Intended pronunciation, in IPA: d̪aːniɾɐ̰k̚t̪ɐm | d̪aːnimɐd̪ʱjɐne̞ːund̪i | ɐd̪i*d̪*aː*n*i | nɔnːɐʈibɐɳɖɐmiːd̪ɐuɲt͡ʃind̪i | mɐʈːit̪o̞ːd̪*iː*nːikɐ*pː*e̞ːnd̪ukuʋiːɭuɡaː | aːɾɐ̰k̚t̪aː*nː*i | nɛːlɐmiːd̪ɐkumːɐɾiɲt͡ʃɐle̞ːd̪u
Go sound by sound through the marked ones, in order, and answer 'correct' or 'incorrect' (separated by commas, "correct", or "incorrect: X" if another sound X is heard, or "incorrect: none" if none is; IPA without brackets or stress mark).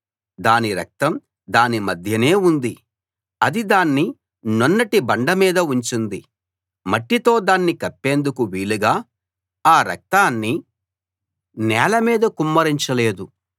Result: correct, incorrect: nː, incorrect: aː, correct, correct